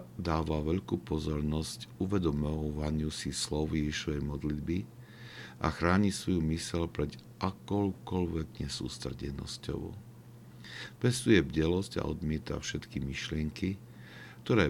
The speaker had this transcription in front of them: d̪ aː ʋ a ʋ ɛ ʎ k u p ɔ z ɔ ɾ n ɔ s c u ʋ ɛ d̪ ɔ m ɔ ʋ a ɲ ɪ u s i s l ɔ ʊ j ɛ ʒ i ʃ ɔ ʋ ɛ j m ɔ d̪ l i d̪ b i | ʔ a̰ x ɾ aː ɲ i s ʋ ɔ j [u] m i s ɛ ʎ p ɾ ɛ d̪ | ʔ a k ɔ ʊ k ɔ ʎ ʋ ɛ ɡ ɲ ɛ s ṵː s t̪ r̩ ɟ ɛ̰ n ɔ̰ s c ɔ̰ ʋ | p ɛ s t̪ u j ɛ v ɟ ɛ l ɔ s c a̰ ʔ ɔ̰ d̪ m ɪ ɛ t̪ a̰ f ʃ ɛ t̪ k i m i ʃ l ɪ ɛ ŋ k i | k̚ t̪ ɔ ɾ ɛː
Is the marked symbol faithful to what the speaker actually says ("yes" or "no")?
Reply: yes